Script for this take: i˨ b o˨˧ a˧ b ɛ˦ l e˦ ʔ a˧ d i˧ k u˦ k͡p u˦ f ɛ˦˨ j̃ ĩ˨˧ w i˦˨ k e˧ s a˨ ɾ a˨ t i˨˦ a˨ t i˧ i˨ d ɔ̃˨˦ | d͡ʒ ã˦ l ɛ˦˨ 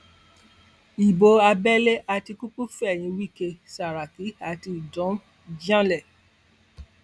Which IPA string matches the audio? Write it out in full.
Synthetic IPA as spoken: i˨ b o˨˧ a˧ b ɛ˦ l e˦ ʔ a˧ t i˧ k u˦ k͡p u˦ f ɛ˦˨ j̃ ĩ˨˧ w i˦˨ k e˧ s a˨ ɾ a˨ k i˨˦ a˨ t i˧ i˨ d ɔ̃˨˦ | d͡ʒ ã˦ l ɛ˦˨

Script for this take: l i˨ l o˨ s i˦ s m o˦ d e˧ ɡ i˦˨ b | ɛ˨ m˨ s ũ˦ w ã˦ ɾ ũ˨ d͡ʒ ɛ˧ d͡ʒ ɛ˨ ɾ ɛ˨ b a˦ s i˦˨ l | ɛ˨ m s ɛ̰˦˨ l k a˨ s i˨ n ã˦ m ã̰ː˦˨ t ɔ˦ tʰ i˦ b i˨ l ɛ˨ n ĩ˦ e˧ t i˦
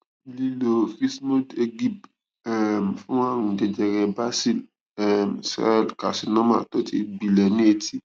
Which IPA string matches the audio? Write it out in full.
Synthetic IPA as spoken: l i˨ l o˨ f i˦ s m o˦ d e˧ ɡ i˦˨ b | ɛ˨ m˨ f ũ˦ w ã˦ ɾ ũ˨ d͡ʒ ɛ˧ d͡ʒ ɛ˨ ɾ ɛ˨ b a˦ s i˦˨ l | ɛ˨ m s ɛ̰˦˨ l k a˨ s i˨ n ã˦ m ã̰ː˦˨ t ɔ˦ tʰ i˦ b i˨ l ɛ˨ n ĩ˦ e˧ t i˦

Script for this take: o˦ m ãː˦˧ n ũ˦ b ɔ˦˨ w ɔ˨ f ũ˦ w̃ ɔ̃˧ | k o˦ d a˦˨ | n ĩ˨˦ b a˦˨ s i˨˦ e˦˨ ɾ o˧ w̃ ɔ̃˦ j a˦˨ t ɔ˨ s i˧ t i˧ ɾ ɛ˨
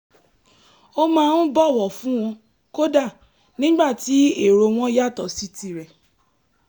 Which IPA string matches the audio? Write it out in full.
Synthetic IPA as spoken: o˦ m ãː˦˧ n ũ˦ b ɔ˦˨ w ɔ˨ f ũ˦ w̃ ɔ̃˧ | k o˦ d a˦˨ | n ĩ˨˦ ɡ͡b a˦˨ t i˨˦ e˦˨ ɾ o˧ w̃ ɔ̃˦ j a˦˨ t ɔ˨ s i˧ t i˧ ɾ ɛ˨

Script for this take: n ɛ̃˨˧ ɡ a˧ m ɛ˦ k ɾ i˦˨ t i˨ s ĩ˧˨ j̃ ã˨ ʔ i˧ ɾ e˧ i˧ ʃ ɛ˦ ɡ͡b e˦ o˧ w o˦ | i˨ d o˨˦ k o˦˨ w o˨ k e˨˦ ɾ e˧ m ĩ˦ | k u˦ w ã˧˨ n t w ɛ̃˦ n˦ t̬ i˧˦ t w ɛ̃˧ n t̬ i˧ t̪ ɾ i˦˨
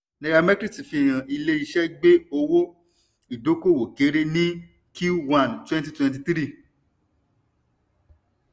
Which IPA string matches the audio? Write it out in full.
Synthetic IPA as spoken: n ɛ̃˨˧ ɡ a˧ m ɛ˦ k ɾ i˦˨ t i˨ f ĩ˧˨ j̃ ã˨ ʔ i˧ l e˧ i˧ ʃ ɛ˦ ɡ͡b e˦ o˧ w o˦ | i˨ d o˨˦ k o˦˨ w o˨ k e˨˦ ɾ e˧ n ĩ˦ | k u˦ w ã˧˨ n t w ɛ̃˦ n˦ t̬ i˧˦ t w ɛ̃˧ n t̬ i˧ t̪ ɾ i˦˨

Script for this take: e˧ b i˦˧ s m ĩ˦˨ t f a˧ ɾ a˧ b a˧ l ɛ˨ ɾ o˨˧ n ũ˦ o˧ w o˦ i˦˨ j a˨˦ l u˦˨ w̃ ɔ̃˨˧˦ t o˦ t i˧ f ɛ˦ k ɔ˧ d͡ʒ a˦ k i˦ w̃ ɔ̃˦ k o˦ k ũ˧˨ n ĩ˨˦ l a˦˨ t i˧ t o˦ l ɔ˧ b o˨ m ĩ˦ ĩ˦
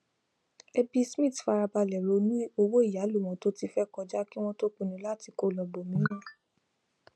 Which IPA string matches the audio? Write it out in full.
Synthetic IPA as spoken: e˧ b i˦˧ s m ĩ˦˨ t f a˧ ɾ a˧ b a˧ l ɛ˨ ɾ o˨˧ n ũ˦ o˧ w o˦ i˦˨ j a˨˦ l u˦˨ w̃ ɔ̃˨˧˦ t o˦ t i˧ f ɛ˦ k ɔ˧ d͡ʒ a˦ k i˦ w̃ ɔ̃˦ t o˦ k͡p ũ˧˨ n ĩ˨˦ l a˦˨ t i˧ k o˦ l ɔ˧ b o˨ m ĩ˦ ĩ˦

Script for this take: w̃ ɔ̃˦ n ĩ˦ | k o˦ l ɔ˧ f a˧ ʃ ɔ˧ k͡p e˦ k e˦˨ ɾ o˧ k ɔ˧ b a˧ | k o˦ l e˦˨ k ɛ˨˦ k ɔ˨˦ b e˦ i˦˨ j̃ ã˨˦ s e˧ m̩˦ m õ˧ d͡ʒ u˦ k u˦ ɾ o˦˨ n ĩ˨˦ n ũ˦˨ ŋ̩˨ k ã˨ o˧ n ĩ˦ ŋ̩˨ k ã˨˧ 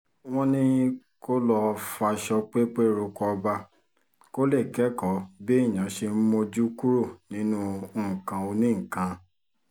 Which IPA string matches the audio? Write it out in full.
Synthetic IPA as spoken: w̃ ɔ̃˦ n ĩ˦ | k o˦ l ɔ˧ f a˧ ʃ ɔ˧ k͡p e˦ k͡p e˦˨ ɾ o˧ k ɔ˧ b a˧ | k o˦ l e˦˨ k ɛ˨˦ k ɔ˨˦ b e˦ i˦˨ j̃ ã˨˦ ʃ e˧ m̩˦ m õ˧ d͡ʒ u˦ k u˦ ɾ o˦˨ n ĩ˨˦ n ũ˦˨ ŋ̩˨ k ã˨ o˧ n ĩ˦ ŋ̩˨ k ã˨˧

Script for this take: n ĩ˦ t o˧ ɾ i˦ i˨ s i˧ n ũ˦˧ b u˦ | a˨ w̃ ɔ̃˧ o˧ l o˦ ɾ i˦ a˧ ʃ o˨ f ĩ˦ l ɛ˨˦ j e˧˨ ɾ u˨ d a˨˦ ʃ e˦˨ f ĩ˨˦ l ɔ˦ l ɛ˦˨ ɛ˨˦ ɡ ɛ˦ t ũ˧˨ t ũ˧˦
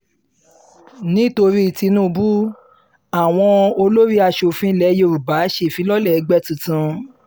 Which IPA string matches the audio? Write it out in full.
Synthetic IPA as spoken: n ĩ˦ t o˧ ɾ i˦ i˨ t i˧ n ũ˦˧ b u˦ | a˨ w̃ ɔ̃˧ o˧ l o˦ ɾ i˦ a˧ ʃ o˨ f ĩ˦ l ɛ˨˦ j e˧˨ ɾ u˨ b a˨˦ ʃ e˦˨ f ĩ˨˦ l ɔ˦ l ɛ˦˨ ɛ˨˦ ɡ͡b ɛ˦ t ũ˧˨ t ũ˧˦

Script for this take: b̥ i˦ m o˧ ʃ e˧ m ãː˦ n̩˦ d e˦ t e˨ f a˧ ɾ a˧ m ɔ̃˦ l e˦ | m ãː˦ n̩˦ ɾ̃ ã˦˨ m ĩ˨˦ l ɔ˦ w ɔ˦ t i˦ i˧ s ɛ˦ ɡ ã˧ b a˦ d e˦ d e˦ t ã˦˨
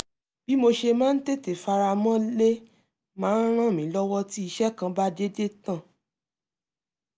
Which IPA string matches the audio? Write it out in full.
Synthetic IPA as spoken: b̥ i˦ m o˧ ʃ e˧ m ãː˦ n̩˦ t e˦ t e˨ f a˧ ɾ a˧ m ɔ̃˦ l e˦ | m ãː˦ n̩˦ ɾ̃ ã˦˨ m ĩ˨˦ l ɔ˦ w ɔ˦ t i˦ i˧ ʃ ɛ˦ k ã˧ b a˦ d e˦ d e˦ t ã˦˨

